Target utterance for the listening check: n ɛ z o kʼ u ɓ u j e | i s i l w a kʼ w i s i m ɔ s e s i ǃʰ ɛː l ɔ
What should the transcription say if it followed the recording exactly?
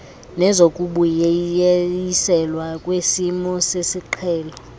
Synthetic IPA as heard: n ɛ z o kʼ u ɓ u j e | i s ɛ l w a kʼ w e s i m ɔ s e s i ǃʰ ɛː l ɔ